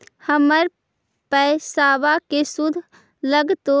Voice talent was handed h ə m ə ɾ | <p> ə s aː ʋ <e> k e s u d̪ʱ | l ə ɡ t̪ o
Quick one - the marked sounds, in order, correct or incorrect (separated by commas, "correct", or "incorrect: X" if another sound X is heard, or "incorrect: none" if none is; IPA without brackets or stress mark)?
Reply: correct, incorrect: a